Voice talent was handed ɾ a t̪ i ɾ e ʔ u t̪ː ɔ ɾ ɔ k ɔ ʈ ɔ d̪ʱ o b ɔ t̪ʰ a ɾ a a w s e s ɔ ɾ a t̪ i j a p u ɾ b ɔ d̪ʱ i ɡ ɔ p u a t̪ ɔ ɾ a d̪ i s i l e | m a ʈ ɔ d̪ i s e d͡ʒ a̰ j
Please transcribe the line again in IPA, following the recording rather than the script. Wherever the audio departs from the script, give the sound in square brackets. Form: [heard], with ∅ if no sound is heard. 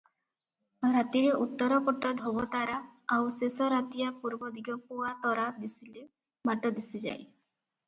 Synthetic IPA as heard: ɾ a t̪ i ɾ e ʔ u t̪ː ɔ ɾ ɔ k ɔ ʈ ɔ d̪ʱ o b ɔ [t̪] a ɾ a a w s e s ɔ ɾ a t̪ i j a p u ɾ b ɔ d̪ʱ i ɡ ɔ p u a t̪ ɔ ɾ a d̪ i s i l e | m a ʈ ɔ d̪ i s [i] d͡ʒ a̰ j